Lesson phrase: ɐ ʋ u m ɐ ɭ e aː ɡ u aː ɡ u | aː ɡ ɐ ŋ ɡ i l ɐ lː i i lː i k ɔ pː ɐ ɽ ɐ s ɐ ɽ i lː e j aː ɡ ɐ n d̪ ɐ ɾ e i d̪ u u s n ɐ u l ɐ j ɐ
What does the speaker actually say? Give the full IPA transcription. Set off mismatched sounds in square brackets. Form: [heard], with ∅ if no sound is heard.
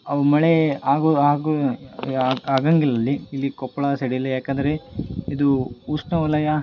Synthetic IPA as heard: ɐ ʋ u m ɐ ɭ e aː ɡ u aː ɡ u | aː ɡ ɐ ŋ ɡ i l ɐ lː i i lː i k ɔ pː ɐ [ɭ] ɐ s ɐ ɽ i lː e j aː [k] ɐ n d̪ ɐ ɾ e i d̪ u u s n ɐ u l ɐ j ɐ